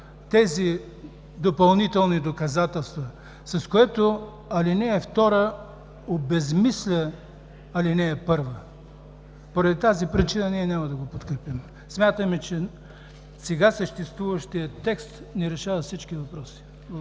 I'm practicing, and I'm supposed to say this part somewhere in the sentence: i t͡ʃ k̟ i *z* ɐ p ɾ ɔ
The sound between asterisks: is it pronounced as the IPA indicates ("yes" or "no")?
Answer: no